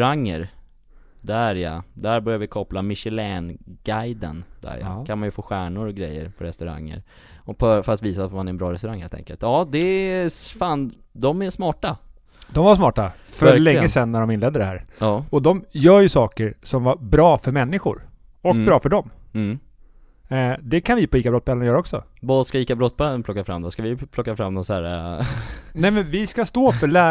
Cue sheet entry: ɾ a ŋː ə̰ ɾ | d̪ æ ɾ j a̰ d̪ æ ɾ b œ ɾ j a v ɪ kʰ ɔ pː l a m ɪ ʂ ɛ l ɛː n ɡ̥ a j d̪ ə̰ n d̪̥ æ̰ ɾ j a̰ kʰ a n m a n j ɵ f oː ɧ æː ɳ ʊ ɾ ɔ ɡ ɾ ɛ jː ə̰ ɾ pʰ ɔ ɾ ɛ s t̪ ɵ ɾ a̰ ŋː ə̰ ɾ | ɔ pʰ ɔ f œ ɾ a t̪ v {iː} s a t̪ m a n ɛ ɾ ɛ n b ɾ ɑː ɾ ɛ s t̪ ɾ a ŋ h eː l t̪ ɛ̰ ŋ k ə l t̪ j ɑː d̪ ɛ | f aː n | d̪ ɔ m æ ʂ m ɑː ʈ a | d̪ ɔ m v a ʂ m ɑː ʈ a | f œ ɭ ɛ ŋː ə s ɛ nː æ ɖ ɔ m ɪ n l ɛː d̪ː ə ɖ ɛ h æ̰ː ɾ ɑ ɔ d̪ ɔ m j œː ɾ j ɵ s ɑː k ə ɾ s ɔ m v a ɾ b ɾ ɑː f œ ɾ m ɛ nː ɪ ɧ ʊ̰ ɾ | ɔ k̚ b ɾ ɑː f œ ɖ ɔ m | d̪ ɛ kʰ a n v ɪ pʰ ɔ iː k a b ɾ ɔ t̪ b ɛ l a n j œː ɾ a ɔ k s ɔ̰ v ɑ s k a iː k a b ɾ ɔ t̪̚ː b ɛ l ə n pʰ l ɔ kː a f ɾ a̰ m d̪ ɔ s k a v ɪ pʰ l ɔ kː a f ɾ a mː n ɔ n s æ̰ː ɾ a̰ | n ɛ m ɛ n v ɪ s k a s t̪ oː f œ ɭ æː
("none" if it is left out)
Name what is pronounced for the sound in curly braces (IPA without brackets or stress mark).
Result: iː